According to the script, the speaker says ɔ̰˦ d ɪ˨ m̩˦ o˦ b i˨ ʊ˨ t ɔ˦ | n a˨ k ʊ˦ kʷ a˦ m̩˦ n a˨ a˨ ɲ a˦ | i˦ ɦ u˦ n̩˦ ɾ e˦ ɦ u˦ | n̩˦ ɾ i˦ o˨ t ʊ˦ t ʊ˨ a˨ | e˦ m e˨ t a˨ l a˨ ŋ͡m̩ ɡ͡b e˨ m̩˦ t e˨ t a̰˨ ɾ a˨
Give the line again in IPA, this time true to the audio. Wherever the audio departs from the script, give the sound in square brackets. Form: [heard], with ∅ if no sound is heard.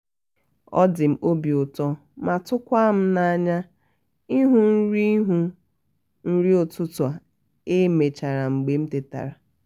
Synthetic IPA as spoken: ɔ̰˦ d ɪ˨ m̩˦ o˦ b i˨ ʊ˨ t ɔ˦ | [m] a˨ [t] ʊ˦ kʷ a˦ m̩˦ n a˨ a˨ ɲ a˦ | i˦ ɦ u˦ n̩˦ ɾ [i˦] ɦ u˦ | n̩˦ ɾ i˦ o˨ t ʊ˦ t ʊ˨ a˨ | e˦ m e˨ [t͡ʃ] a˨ [ɾ] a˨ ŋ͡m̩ ɡ͡b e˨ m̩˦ t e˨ t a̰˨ ɾ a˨